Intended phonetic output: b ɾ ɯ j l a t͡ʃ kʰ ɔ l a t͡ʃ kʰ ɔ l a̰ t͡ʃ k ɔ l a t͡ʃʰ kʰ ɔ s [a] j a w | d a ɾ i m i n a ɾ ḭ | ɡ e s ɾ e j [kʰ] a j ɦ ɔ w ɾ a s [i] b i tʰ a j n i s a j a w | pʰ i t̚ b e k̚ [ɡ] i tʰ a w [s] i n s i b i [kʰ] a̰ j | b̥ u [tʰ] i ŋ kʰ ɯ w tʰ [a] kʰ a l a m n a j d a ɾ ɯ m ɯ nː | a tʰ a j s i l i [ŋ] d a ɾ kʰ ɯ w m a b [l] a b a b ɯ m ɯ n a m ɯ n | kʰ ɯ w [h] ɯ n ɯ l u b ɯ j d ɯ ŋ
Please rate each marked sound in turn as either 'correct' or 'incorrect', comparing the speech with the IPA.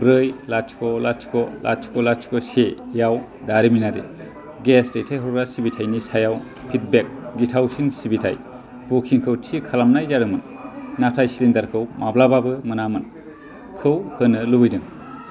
incorrect, incorrect, correct, correct, correct, incorrect, incorrect, incorrect, incorrect, correct, correct

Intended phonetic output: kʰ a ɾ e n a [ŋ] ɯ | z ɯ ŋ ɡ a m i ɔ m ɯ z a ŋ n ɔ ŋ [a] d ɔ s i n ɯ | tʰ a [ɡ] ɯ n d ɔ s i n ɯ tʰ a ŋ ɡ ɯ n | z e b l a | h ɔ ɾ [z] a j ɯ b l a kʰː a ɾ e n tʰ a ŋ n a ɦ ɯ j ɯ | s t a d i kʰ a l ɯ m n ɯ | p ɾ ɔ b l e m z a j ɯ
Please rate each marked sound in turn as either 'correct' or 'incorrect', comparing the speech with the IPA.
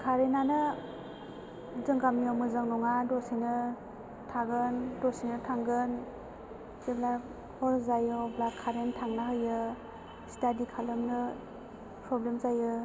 incorrect, correct, correct, correct

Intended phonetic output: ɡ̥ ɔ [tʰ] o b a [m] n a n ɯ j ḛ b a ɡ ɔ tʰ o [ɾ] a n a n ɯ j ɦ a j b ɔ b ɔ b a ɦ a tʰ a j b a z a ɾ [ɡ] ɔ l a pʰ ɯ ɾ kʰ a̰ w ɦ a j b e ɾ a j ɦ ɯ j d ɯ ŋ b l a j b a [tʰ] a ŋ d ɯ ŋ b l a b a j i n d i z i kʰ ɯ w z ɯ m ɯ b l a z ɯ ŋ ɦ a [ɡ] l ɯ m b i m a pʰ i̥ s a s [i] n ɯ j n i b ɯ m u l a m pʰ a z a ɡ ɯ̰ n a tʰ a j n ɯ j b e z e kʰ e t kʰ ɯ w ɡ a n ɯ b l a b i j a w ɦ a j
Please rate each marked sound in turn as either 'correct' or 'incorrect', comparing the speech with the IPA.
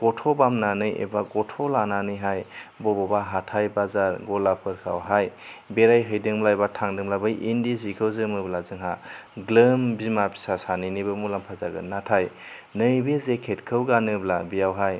correct, correct, incorrect, correct, correct, correct, incorrect

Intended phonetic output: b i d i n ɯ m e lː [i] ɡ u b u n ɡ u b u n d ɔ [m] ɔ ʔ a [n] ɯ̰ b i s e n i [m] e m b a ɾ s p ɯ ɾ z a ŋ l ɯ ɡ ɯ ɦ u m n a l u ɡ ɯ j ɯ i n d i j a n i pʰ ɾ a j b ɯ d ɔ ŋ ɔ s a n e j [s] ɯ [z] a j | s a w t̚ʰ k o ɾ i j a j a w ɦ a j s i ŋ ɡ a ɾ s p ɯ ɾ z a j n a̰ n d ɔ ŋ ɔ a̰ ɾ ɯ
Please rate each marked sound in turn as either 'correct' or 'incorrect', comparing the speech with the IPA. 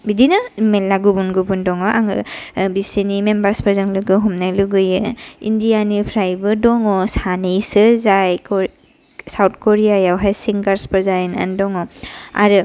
incorrect, incorrect, incorrect, correct, correct, correct

